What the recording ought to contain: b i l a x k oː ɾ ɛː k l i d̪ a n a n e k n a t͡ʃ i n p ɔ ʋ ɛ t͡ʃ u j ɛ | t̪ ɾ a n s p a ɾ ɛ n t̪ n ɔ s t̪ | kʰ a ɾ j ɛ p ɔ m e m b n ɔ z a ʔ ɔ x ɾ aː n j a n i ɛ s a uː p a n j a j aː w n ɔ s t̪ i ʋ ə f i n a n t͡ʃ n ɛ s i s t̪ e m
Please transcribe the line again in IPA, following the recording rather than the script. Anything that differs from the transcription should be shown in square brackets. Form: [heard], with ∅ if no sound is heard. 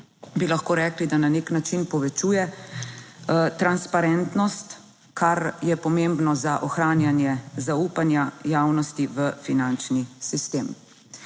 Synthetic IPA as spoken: b i l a x k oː ɾ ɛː k l i d̪ a n a n e k n a t͡ʃ i n p ɔ ʋ ɛ t͡ʃ u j ɛ | t̪ ɾ a n s p a ɾ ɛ n t̪ n ɔ s t̪ | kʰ a ɾ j ɛ p ɔ m e m b n ɔ z a ʔ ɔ x ɾ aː n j a n [j] ɛ [z] a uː p a n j a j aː w n ɔ s t̪ i ʋ ə f i n a n t͡ʃ n [i] s i s t̪ e m